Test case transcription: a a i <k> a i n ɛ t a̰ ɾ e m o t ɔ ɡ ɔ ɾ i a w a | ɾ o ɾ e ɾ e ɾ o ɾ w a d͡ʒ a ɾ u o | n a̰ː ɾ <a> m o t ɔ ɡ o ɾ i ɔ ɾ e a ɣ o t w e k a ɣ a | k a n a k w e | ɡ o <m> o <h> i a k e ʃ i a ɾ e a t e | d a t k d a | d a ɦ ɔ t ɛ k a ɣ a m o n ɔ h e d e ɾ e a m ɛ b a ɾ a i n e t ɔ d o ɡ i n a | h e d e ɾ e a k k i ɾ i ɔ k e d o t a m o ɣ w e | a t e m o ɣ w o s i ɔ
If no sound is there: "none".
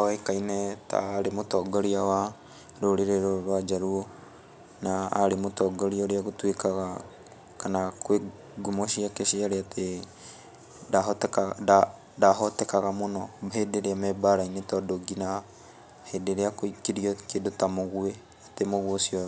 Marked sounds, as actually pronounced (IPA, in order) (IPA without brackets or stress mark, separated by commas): k, e, m, ʃ